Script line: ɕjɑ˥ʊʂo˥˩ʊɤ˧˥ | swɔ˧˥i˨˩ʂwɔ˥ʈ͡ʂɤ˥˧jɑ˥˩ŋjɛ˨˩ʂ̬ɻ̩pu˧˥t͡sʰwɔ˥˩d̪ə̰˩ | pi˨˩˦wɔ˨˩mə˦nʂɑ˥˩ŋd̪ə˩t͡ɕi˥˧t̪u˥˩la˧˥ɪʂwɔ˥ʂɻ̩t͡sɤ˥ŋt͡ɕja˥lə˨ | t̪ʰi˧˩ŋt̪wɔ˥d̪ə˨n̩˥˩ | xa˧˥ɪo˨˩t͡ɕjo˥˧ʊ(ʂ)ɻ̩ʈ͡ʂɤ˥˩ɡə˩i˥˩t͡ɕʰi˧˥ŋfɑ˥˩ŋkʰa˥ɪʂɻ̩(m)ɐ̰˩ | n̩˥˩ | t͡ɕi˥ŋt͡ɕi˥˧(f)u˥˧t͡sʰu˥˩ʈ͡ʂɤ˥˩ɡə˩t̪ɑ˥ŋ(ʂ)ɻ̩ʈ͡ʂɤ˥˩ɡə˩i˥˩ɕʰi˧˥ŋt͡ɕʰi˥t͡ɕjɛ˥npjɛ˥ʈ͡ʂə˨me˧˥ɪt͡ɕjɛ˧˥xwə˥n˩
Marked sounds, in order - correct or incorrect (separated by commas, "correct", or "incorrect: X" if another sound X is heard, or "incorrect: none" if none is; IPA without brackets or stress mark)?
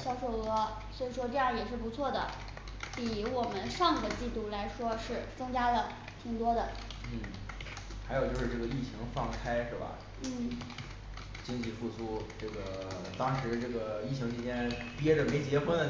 correct, incorrect: b, correct, correct